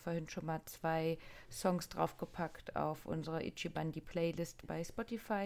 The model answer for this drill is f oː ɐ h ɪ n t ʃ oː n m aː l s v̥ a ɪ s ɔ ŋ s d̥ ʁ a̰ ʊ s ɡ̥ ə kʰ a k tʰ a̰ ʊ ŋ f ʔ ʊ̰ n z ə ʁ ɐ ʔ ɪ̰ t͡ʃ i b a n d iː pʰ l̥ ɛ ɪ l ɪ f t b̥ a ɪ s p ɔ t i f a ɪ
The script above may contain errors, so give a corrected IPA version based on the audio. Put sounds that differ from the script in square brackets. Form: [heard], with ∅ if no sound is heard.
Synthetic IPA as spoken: f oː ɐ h ɪ n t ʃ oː n m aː l [t͡s] v̥ a ɪ s ɔ ŋ s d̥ ʁ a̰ ʊ [f] ɡ̥ ə [pʰ] a k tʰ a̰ ʊ [∅] f ʔ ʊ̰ n z ə ʁ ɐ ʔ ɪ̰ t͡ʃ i b a n d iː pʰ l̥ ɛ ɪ l ɪ [s] t b̥ a ɪ s p ɔ t i f a ɪ